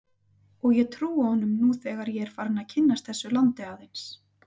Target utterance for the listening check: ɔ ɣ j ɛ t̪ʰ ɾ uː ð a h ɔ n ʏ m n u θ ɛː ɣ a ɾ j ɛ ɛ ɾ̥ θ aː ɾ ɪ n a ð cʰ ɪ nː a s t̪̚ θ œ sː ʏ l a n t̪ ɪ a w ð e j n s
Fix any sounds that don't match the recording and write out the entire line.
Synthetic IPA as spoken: ɔ ɣ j ɛ t̪ʰ ɾ uː a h ɔ n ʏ m n u θ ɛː ɣ a ɾ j ɛ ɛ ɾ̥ f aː ɾ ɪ n a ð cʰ ɪ nː a s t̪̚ θ ɛ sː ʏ l a n t̪ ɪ a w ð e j n s